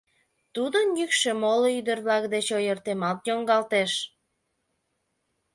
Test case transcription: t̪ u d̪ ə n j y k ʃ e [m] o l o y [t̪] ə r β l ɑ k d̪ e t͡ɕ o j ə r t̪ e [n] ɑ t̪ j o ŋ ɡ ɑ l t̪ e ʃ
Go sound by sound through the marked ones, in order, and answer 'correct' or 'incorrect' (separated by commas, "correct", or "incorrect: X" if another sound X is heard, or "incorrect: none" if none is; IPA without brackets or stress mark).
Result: correct, incorrect: d̪, incorrect: m